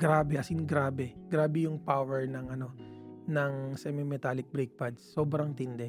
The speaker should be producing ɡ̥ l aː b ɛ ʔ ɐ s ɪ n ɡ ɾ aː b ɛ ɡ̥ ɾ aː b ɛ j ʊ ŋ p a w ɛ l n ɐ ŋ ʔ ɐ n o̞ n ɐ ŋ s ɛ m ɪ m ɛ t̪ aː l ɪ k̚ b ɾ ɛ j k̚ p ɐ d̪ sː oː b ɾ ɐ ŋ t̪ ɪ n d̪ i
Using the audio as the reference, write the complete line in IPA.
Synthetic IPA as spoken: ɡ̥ ɾ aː b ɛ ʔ ɐ s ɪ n ɡ ɾ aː b ɛ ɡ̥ ɾ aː b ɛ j ʊ ŋ p a w ɛ ɹ n ɐ ŋ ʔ ɐ n o̞ n ɐ ŋ s ɛ m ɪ m ɛ t̪ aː l ɪ k̚ b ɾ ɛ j k̚ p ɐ d̪ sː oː b ɾ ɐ ŋ t̪ ɪ n d̪ ɛ